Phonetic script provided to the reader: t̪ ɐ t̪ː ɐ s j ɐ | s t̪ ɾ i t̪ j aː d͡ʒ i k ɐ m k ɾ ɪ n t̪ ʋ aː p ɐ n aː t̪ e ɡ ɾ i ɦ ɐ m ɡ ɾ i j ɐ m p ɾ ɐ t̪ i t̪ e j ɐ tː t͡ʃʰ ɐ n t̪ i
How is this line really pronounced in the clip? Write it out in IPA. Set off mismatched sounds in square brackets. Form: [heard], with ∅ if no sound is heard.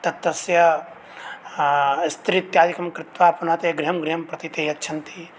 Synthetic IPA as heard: t̪ ɐ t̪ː ɐ s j ɐ | s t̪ ɾ i t̪ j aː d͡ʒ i k ɐ m k ɾ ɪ [∅] t̪ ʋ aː p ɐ n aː t̪ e ɡ ɾ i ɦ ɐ m ɡ ɾ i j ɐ m p ɾ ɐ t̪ i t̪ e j ɐ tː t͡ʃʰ ɐ n t̪ i